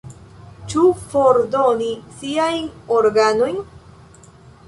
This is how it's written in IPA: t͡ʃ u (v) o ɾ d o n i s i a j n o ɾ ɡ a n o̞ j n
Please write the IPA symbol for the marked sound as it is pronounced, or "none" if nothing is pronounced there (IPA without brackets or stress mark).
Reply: f